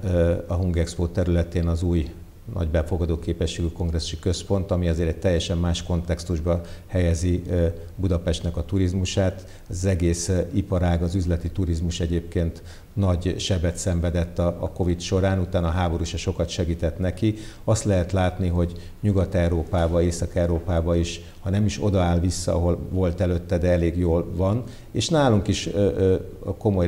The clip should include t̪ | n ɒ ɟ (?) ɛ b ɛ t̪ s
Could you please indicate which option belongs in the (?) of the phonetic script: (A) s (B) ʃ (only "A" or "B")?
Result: B